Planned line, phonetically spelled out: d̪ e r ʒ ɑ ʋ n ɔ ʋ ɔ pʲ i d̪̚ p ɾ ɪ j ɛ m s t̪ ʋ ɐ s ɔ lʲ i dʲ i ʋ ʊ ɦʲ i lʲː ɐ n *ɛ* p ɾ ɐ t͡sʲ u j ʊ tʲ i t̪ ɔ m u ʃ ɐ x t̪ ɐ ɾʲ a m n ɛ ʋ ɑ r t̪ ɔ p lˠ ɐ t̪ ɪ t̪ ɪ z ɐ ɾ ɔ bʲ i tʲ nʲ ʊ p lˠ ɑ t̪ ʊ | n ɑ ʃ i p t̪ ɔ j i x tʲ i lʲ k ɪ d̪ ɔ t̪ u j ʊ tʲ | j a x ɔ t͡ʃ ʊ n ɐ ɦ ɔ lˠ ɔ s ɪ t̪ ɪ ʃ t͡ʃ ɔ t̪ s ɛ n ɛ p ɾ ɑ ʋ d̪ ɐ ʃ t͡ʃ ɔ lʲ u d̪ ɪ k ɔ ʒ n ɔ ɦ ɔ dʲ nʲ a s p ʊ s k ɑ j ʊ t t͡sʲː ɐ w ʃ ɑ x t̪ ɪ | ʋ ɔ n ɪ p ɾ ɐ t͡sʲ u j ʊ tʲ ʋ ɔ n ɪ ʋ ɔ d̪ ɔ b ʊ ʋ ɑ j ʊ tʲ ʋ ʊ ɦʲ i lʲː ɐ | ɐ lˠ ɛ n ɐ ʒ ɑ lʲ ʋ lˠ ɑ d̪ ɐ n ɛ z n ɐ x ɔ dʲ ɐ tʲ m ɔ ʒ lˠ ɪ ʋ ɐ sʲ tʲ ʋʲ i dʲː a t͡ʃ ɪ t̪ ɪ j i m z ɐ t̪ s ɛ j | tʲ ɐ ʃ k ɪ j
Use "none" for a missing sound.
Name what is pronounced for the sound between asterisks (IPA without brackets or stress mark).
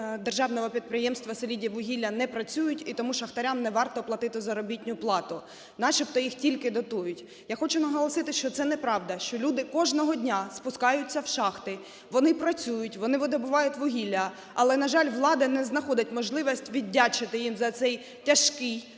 ɛ